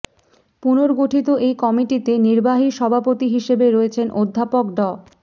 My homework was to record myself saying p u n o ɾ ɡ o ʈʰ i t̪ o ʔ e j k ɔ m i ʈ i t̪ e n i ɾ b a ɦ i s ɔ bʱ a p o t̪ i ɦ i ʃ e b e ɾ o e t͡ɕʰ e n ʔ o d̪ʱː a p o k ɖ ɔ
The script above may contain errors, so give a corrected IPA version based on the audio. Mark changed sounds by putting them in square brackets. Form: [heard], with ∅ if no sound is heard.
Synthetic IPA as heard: p u n o ɾ ɡ o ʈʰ i t̪ o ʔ e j k ɔ m i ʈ i t̪ e n i ɾ b a ɦ i [ʃ] ɔ bʱ a p o t̪ i ɦ i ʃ e b e ɾ o e t͡ɕʰ e n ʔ o d̪ʱː a p o k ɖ ɔ